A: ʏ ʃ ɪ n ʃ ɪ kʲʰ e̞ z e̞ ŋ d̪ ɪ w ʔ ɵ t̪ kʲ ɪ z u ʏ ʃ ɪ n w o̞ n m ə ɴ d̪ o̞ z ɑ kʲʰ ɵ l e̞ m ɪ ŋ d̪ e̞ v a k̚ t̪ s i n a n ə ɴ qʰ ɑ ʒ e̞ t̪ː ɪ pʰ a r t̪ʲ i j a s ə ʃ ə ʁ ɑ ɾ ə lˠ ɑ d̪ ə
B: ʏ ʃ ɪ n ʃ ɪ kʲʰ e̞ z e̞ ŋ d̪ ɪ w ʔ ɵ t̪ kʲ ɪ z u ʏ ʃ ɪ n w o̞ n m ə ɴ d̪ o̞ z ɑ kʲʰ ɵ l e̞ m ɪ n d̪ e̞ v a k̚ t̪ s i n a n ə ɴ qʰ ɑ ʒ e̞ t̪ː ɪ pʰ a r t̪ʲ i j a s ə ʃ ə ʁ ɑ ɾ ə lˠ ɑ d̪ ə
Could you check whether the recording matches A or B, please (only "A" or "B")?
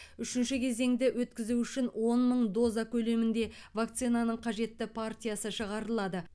B